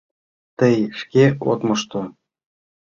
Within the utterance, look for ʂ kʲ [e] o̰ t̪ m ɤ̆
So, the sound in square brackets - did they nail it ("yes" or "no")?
yes